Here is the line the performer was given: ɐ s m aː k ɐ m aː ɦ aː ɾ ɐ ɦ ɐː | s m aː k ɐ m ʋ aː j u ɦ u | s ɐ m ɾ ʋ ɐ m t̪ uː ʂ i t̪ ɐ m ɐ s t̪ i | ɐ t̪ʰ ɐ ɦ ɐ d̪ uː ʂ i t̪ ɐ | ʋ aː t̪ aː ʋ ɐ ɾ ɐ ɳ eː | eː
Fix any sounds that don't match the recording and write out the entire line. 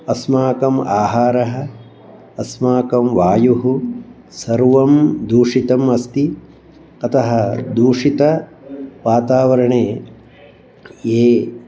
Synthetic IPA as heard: ɐ s m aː k ɐ m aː ɦ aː ɾ ɐ ɦ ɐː | s m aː k ɐ m ʋ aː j u ɦ u | s ɐ ɾ ʋ ɐ m d̪ uː ʂ i t̪ ɐ m ɐ s t̪ i | ɐ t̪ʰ ɐ ɦ ɐ d̪ uː ʂ i t̪ ɐ | ʋ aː t̪ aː ʋ ɐ ɾ ɐ ɳ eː | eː